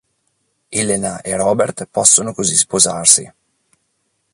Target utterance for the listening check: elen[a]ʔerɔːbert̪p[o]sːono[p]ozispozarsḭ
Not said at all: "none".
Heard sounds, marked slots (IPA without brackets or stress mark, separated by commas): a, ɔ, k